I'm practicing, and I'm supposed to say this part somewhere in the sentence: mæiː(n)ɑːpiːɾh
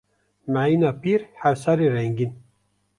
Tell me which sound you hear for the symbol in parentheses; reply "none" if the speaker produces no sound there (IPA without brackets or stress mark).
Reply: n